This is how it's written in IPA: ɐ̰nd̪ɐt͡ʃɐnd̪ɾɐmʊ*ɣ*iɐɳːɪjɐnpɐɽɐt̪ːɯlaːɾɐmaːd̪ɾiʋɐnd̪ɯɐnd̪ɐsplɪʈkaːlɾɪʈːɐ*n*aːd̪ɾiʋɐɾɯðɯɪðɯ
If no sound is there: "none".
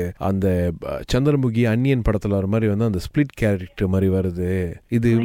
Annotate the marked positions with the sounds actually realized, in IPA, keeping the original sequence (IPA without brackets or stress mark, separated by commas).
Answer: ɣ, m